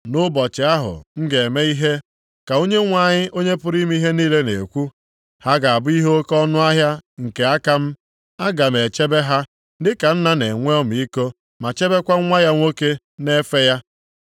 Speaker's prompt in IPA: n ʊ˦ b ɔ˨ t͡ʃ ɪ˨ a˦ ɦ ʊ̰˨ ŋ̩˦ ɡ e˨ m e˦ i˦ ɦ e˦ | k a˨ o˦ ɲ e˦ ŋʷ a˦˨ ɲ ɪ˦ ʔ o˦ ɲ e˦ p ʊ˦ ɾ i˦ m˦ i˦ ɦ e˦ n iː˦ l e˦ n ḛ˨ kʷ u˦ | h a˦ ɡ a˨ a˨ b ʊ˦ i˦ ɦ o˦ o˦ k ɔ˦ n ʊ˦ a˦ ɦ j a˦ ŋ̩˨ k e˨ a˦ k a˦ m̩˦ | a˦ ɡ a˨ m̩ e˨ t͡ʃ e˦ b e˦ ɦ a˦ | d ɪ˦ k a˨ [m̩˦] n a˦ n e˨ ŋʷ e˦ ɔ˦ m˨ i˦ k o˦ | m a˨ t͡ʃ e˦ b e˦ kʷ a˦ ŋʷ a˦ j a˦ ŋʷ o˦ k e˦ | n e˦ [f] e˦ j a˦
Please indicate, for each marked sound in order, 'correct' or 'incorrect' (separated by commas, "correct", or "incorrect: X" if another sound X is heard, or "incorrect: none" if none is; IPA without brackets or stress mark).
incorrect: n̩˦, correct